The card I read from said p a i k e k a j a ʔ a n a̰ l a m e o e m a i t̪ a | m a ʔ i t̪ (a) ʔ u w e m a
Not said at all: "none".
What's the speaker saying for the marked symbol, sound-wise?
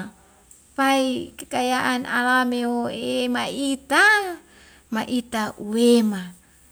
a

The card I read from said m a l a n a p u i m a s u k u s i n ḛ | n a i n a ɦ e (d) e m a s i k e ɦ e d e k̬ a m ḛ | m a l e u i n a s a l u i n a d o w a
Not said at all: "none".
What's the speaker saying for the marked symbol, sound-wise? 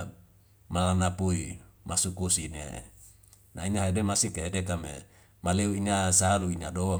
d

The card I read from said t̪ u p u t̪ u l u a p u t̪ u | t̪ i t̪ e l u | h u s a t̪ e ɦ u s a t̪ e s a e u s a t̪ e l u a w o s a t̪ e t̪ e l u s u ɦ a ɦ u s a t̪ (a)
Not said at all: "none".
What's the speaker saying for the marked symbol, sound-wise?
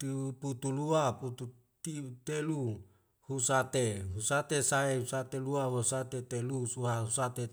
e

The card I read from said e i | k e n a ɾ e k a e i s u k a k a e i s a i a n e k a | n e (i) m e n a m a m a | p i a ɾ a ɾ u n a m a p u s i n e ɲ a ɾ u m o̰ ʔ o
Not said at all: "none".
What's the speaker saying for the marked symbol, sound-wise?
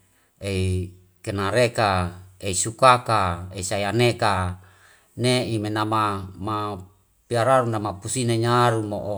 i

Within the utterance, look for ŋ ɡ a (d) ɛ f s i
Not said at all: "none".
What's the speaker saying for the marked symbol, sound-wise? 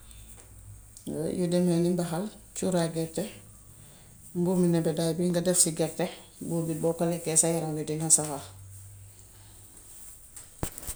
d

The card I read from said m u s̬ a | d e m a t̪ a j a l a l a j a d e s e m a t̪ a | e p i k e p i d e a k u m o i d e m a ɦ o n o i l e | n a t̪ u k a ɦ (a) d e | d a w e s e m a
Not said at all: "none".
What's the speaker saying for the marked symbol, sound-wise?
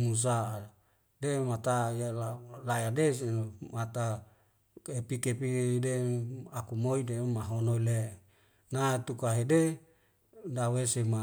e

